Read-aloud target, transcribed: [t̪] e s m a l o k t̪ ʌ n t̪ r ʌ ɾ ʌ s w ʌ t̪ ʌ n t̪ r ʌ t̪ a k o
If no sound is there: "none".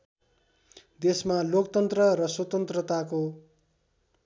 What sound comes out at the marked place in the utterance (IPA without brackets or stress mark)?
d̪